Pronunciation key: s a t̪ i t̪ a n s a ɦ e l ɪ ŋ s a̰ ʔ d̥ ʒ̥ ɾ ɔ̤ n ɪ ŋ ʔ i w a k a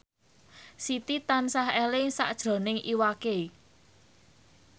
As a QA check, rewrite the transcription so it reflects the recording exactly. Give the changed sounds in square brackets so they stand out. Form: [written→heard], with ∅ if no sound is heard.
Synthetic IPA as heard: s [a→i] t̪ i t̪ a n s a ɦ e l ɪ ŋ s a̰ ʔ d̥ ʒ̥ ɾ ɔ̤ n ɪ ŋ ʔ i w a k [a→e]